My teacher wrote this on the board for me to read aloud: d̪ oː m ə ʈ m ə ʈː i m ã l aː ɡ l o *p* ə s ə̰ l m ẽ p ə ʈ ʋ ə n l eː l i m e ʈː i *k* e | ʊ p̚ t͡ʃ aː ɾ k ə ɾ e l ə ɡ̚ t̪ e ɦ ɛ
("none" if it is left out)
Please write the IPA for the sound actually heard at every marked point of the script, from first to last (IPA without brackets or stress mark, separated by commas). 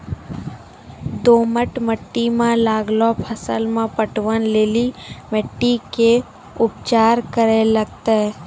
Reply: pʰ, k